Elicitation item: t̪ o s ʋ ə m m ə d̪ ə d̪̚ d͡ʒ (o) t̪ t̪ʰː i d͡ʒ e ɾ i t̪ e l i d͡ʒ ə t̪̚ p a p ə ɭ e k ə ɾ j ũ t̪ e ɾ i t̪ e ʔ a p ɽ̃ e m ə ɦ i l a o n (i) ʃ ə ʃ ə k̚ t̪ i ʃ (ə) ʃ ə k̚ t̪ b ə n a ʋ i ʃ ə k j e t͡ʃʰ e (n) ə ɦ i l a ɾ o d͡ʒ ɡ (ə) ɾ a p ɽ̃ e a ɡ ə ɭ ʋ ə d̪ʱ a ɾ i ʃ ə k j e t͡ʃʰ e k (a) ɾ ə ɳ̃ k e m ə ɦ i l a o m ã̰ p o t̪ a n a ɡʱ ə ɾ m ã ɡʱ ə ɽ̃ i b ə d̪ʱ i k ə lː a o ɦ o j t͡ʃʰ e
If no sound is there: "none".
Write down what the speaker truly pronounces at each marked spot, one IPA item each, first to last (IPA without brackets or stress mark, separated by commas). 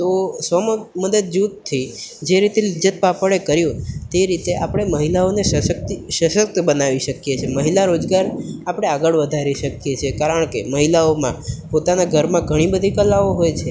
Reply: u, e, ə, m, a, a